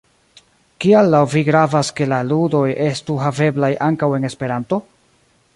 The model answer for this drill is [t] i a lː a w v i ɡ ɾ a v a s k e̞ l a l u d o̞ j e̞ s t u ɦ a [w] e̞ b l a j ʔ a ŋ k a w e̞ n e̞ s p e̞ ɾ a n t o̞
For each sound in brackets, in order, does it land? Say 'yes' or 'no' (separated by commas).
no, no